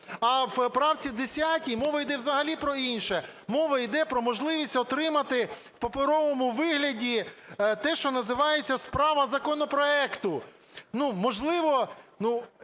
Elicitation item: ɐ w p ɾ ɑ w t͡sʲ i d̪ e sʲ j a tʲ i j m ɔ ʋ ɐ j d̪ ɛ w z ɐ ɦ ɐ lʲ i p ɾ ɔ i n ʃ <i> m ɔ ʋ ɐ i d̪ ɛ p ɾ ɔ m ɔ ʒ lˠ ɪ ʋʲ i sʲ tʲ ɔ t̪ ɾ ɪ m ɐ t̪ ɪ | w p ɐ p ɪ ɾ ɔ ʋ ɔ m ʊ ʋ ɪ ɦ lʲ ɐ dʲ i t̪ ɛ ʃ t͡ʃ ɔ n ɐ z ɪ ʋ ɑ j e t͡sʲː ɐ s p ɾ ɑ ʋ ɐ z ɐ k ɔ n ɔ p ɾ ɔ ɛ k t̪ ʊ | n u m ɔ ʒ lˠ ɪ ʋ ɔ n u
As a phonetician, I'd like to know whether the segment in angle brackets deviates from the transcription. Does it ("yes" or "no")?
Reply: yes